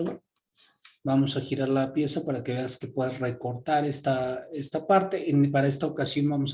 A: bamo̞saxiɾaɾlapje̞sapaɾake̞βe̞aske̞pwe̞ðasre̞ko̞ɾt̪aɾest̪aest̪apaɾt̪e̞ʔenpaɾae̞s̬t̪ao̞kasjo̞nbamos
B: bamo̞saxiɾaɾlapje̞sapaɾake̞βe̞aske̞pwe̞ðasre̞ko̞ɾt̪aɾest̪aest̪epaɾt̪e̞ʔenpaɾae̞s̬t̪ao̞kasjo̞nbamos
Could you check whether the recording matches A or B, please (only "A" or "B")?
A